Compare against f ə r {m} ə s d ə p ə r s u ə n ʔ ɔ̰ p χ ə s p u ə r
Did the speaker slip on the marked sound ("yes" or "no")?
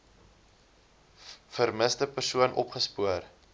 no